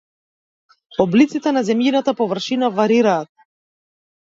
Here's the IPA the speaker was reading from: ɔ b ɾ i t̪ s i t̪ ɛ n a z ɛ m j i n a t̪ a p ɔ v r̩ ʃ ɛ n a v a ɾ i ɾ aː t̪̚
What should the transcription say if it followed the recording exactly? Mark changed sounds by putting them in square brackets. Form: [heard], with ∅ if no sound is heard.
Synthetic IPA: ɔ b [l] i t̪ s i t̪ ɛ n a z ɛ m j i n a t̪ a p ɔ v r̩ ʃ [i] n a v a ɾ i ɾ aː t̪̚